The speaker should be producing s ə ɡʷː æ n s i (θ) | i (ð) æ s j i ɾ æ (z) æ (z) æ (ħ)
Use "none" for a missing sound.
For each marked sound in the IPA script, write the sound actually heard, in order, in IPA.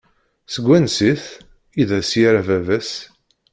θ, ð, v, v, s

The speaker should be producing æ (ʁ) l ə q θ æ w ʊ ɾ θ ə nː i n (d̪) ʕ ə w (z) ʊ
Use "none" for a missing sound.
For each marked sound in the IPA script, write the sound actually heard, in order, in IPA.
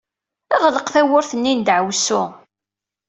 ʁ, d̪, s

